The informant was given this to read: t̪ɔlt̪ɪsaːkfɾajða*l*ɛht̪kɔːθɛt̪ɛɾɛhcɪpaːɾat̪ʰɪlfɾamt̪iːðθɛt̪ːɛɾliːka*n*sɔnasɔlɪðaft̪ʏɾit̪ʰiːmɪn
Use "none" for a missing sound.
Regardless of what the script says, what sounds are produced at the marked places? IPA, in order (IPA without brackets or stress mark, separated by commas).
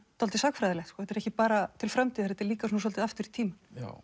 l, none